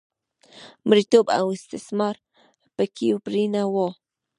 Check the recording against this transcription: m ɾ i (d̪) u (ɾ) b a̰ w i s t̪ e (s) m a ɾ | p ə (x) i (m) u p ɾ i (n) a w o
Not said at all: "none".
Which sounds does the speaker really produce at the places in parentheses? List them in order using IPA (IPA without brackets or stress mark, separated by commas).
t̪, none, s, k, none, n